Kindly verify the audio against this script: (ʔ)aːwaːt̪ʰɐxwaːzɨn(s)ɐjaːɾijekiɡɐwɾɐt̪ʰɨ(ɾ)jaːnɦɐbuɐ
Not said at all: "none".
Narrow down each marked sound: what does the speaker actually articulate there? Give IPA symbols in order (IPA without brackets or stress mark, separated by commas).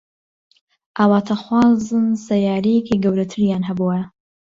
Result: ʔ, s, ɾ